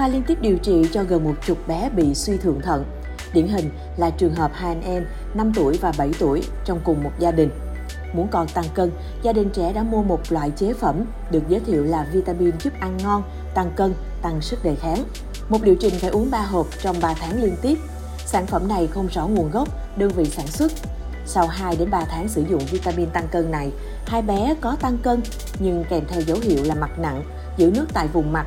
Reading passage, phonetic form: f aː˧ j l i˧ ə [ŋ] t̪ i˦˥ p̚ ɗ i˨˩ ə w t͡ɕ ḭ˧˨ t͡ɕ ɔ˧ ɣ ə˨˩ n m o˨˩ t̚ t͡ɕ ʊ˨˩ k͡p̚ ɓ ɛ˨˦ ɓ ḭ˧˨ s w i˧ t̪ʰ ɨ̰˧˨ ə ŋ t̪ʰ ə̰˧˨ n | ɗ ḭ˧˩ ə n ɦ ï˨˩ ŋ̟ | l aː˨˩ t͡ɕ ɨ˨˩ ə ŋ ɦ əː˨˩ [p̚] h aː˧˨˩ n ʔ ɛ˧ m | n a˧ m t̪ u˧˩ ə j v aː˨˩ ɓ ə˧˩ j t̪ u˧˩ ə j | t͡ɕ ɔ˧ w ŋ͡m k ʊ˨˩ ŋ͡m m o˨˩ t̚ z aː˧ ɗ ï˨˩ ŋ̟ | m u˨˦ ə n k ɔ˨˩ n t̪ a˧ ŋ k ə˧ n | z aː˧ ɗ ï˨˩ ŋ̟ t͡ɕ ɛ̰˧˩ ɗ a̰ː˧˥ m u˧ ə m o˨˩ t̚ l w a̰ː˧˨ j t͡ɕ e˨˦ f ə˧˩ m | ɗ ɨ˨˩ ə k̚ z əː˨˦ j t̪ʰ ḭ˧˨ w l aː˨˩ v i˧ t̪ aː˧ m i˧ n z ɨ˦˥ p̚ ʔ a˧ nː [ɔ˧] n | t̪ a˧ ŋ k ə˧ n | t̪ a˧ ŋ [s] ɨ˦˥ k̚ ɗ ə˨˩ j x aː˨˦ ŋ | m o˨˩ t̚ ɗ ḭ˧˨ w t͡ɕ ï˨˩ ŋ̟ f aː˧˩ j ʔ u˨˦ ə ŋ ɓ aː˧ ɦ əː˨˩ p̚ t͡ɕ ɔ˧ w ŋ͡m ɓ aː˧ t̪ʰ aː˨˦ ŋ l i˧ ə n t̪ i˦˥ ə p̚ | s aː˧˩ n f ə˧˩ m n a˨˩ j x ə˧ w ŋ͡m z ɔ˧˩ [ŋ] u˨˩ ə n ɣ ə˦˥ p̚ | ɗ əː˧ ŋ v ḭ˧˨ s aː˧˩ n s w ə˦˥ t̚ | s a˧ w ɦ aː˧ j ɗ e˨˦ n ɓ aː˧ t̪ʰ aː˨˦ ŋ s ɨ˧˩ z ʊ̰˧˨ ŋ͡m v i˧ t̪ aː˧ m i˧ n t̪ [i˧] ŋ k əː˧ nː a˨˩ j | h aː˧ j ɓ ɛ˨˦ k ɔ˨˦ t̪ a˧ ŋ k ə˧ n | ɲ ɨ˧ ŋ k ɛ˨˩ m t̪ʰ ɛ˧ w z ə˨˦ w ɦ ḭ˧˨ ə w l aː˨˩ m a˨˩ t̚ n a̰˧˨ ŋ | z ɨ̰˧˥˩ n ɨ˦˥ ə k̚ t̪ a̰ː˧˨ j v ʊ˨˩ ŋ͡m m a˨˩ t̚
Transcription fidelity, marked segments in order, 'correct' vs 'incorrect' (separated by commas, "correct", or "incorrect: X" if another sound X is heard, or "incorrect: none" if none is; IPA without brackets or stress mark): incorrect: n, correct, correct, correct, correct, incorrect: a˧